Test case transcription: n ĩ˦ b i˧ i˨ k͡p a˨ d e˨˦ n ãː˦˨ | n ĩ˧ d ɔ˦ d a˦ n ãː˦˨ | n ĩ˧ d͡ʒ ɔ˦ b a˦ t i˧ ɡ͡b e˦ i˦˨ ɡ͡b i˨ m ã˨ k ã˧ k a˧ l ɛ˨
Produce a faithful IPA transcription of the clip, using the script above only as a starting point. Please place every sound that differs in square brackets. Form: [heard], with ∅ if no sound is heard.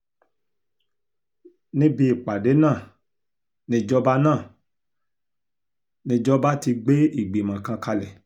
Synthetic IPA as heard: n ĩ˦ b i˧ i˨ k͡p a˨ d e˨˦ n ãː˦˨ | n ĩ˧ [d͡ʒ] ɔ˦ [b] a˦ n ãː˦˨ | n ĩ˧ d͡ʒ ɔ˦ b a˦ t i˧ ɡ͡b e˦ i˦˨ ɡ͡b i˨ m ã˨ k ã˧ k a˧ l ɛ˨